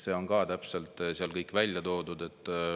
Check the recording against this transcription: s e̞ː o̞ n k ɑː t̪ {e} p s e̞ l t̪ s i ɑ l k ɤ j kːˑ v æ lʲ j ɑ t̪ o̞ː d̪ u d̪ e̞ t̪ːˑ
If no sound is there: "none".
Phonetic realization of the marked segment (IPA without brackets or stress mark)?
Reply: æ